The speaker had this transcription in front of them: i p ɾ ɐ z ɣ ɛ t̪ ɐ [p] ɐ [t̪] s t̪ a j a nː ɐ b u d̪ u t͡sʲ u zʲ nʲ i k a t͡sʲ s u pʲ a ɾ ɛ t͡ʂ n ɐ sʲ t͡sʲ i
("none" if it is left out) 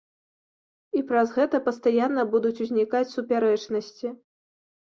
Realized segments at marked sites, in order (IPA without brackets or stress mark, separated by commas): p, none